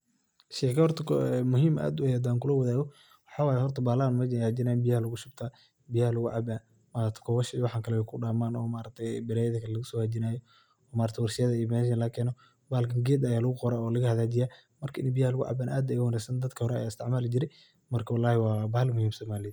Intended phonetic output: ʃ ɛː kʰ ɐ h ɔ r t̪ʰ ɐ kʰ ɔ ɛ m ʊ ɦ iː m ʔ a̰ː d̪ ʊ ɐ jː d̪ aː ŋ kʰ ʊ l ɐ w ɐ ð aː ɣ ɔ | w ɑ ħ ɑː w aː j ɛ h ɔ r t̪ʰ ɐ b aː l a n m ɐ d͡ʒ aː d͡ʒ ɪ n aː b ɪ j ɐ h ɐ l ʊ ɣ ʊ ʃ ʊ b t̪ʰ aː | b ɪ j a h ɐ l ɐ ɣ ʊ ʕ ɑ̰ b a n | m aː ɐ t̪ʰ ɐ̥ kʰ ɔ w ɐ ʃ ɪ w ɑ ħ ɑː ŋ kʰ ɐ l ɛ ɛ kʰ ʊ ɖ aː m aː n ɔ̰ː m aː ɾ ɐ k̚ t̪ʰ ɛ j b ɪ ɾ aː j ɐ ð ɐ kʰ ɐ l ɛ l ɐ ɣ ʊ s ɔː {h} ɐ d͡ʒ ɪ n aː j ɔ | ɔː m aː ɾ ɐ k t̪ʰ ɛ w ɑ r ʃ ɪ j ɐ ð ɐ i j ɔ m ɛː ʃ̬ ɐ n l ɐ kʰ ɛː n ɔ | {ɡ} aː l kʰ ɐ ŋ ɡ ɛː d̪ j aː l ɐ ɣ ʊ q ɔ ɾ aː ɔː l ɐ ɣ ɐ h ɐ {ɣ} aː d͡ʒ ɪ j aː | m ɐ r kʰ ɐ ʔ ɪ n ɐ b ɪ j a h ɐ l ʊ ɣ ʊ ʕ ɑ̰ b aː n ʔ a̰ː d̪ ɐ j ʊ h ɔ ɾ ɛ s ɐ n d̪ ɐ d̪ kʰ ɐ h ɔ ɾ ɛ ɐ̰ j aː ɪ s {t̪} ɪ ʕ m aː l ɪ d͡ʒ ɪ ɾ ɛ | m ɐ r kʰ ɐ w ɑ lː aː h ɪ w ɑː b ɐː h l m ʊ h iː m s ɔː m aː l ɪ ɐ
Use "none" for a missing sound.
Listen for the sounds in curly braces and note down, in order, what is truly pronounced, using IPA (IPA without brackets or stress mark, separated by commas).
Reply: h, b, ð, t̪